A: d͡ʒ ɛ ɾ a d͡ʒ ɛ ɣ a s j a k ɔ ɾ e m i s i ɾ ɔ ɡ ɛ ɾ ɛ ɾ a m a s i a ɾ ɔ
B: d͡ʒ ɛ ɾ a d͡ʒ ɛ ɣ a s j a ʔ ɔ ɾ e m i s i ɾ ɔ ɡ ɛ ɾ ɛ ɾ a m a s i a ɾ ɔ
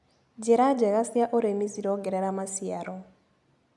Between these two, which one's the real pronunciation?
B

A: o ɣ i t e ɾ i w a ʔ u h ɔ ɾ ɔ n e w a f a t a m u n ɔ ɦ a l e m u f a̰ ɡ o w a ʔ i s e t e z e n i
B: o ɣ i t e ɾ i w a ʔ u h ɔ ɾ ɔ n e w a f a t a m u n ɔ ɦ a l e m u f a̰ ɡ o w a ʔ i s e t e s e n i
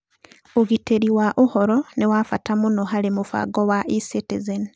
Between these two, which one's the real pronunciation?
A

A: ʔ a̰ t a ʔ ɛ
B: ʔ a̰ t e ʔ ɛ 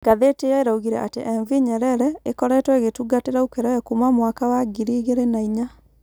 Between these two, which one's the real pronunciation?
B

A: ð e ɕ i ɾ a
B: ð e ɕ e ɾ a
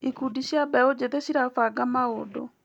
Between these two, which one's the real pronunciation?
A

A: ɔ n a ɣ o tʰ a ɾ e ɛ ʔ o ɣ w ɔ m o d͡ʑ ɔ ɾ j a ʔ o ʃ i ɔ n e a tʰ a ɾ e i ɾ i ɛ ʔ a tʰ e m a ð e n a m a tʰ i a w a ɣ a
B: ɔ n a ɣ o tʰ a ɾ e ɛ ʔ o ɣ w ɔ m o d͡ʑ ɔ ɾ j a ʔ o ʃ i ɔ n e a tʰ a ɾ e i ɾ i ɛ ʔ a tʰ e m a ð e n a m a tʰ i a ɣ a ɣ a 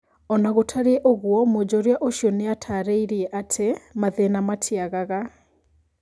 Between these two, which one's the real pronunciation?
B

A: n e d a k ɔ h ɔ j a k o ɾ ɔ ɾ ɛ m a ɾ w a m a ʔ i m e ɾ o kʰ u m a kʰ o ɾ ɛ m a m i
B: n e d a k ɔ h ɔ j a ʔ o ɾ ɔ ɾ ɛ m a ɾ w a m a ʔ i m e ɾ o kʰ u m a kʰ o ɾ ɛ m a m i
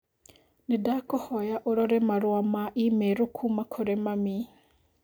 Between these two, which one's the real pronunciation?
B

